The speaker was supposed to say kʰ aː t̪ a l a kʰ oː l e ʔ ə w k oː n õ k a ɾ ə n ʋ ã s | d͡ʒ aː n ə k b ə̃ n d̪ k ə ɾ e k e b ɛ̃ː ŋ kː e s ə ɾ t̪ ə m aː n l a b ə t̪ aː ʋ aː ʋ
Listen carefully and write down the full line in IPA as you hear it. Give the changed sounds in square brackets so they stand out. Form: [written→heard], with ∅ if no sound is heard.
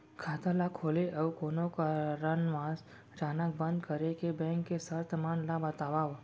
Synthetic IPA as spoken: kʰ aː t̪ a l a kʰ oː l e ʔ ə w k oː n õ k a ɾ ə n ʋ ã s | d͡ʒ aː n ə k b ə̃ n d̪ k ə ɾ e k e b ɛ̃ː ŋ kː e s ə ɾ t̪ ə m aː n l a b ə t̪ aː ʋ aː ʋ